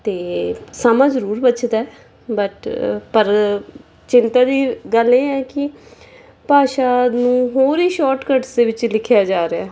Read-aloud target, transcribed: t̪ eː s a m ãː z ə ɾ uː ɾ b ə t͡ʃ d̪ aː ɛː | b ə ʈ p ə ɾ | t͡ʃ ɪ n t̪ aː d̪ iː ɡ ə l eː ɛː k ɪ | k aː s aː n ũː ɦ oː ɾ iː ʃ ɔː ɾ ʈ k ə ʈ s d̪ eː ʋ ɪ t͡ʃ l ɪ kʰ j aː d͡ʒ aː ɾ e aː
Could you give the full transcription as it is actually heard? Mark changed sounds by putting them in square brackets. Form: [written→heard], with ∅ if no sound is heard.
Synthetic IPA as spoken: t̪ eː s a m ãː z ə ɾ uː ɾ b ə t͡ʃ d̪ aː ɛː | b ə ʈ p ə ɾ | t͡ʃ ɪ n t̪ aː d̪ iː ɡ ə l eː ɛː k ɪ | [k→p] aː [s→ʃ] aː n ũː ɦ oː ɾ iː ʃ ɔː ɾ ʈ k ə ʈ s d̪ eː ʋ ɪ t͡ʃ l ɪ kʰ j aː d͡ʒ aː ɾ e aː